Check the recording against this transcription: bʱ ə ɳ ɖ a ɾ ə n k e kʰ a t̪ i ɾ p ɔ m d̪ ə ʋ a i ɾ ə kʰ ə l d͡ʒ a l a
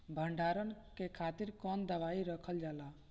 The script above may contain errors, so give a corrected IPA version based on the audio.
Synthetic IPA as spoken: bʱ ə ɳ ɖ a ɾ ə n k e kʰ a t̪ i ɾ k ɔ n d̪ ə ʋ a i ɾ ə kʰ ə l d͡ʒ a l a